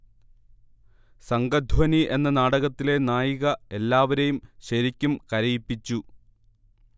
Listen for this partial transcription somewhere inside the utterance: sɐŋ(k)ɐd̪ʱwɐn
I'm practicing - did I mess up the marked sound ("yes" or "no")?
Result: yes